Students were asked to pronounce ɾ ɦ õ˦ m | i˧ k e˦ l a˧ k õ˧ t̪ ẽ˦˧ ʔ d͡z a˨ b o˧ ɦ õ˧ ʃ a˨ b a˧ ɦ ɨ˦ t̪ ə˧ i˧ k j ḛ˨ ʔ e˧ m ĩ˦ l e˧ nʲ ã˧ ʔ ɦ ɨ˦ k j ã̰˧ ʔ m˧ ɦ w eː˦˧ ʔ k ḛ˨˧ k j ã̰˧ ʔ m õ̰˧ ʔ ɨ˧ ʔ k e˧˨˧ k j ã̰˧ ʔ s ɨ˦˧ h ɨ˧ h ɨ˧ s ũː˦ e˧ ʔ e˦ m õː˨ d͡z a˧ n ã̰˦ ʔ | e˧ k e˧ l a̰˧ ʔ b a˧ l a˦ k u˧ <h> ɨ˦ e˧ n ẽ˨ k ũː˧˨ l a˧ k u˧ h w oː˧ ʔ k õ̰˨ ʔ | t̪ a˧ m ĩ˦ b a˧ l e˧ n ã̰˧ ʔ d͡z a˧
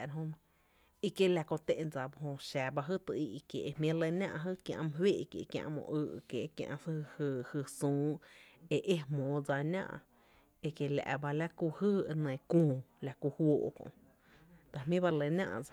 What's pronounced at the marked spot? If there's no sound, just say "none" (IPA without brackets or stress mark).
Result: h